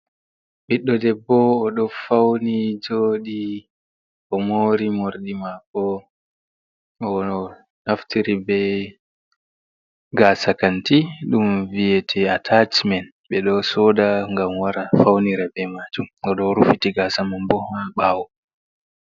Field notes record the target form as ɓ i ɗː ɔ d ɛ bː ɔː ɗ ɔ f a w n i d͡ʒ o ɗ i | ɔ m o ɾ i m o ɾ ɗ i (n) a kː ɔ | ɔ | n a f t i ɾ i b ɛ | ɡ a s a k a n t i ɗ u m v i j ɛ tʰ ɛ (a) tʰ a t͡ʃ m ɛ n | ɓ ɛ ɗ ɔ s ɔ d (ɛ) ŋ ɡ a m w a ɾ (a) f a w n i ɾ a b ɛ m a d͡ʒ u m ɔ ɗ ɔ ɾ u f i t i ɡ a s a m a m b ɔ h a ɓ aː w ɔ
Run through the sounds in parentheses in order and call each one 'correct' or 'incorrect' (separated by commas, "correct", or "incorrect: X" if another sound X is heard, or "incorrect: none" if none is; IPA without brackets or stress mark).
incorrect: m, correct, incorrect: a, correct